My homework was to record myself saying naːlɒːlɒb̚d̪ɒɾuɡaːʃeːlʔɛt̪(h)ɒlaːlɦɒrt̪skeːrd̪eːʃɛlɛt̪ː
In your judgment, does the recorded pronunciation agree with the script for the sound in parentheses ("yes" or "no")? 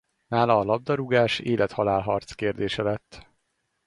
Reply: yes